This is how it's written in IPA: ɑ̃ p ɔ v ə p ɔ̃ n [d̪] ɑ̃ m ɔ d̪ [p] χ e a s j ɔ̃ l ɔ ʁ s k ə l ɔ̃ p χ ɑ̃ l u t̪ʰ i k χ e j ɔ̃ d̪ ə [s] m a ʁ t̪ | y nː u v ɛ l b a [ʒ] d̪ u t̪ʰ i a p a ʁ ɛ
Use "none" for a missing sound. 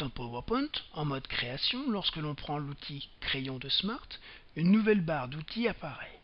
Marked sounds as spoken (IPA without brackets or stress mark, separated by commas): t̪, k, s, ʁ